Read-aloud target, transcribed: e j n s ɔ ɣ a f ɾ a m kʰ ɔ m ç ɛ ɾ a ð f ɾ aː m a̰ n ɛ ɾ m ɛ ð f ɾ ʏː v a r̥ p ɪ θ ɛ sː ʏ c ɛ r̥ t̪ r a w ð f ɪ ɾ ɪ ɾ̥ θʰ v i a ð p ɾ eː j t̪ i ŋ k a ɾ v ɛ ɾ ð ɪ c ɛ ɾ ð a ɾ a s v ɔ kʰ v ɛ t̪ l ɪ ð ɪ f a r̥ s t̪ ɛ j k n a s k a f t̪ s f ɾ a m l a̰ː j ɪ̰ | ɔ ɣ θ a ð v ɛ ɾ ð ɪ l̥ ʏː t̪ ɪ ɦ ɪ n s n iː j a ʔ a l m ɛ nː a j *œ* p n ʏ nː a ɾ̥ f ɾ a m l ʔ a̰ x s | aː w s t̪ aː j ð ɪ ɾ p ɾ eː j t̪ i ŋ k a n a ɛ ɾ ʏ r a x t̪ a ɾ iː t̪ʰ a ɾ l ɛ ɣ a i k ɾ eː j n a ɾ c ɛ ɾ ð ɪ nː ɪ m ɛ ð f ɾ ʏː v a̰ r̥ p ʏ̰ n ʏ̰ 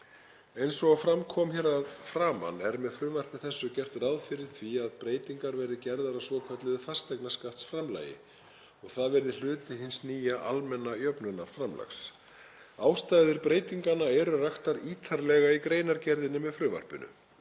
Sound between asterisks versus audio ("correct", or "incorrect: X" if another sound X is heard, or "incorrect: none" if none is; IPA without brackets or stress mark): correct